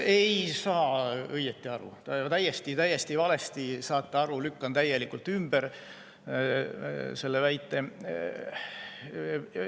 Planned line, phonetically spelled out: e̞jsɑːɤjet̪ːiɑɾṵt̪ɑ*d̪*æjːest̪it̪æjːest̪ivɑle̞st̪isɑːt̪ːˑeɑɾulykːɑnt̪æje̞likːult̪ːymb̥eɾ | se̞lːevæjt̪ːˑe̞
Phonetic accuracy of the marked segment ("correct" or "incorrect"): incorrect